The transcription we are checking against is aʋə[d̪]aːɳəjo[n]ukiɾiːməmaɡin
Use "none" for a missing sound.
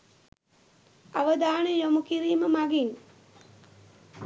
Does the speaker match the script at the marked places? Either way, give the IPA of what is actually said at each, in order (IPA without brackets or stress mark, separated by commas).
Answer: d̪, m